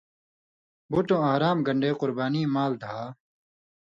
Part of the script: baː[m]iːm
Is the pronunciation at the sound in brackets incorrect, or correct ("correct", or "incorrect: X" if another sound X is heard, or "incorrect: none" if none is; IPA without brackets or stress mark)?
incorrect: n